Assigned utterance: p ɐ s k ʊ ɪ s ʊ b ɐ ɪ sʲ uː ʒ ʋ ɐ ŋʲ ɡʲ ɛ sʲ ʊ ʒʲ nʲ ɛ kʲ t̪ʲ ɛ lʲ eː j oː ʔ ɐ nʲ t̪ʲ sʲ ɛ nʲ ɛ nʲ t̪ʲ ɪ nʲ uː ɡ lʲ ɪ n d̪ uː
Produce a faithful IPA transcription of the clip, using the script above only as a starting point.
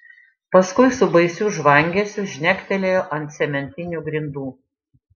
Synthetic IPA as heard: p ɐ s k ʊ ɪ s ʊ b ɐ ɪ sʲ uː ʒ ʋ ɐ ŋʲ ɡʲ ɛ sʲ ʊ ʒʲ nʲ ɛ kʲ t̪ʲ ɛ lʲ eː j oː ʔ ɐ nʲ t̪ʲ sʲ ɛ mʲ ɛ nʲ t̪ʲ ɪ nʲ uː ɡ ɾʲ ɪ n d̪ uː